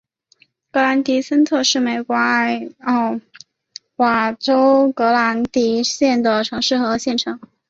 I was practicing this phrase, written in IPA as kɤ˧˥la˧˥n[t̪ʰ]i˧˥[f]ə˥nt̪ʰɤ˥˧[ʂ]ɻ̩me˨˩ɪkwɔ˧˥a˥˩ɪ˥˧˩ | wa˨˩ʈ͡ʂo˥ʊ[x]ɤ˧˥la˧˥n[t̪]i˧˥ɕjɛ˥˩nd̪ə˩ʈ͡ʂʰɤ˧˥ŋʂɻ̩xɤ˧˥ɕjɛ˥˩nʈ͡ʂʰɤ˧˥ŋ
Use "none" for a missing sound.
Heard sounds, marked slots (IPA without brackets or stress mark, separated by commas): t̪, s, ʂ, k, t̪